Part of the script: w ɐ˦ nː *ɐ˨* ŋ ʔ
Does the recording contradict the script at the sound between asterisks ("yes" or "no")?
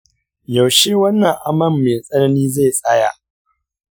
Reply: no